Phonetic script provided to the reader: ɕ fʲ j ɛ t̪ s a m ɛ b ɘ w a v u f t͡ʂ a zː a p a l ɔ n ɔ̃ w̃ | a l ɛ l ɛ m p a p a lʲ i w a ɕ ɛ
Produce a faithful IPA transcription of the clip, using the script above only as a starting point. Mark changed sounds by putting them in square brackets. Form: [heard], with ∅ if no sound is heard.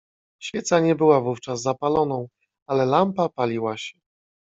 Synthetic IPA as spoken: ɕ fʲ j ɛ t̪ s a [ɲ] ɛ b ɘ w a v u f t͡ʂ a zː a p a l ɔ n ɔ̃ w̃ | a l ɛ l [a] m p a p a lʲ i w a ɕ ɛ